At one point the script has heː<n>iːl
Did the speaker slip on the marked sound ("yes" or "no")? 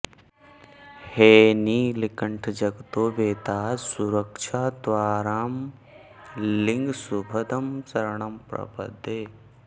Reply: no